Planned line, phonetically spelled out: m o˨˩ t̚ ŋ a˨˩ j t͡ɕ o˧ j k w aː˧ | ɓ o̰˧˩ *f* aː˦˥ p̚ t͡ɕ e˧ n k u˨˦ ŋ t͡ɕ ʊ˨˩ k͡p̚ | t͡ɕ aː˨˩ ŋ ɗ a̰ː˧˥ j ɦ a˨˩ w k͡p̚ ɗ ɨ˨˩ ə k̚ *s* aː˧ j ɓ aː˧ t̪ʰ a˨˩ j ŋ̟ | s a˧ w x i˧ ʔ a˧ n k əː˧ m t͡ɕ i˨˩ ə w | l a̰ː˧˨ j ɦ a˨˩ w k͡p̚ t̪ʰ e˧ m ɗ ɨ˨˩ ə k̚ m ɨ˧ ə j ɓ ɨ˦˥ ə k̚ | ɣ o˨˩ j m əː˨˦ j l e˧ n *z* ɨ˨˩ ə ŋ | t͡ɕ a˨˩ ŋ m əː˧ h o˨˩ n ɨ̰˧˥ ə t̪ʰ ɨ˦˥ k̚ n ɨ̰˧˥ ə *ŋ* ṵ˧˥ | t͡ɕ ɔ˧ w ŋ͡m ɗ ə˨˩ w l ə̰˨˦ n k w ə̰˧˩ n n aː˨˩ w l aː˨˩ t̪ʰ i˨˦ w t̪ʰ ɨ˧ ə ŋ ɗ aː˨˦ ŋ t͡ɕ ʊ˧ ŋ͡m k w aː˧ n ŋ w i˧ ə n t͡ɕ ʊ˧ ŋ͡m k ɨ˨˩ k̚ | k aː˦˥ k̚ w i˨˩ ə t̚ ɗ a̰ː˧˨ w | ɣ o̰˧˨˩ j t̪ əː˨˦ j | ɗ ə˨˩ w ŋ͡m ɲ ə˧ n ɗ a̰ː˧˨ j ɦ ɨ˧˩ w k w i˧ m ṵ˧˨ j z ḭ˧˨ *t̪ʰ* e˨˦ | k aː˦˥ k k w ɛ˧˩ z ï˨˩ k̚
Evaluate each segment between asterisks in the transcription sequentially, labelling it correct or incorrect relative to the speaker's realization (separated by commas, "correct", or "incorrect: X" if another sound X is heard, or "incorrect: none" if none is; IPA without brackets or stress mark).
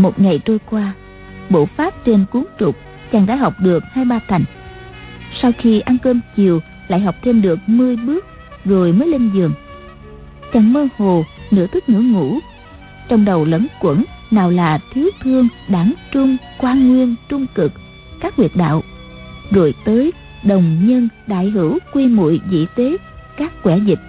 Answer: correct, incorrect: h, correct, correct, incorrect: t̪